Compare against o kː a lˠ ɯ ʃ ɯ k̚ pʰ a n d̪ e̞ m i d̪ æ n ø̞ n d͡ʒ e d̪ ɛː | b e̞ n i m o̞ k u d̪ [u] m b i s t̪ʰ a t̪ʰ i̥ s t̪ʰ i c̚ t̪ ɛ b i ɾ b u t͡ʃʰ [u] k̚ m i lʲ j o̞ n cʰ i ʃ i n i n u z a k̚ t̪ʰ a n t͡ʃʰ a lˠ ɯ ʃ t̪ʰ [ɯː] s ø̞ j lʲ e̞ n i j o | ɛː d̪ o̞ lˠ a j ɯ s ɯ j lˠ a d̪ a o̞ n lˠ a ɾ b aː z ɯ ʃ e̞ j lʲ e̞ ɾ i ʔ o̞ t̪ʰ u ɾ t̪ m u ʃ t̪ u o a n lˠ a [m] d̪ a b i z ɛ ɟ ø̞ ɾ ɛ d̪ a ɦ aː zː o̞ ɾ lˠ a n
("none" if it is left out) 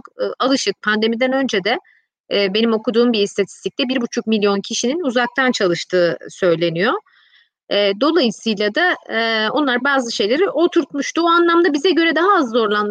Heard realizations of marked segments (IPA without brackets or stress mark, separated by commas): uː, u, ɯː, m